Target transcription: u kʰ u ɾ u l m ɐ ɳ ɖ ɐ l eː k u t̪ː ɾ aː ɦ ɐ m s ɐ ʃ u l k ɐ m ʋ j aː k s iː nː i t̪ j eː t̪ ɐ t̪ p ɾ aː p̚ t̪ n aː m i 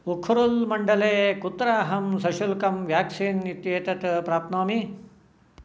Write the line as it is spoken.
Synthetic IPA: u kʰ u ɾ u l m ɐ ɳ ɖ ɐ l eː k u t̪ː ɾ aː ɦ ɐ m s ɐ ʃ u l k ɐ m ʋ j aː k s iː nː i t̪ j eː t̪ ɐ t̪ p ɾ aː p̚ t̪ n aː m i